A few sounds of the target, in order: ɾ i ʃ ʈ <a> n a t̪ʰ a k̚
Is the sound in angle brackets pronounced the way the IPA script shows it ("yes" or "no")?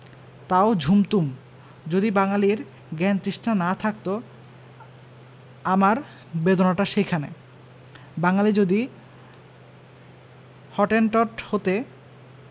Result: yes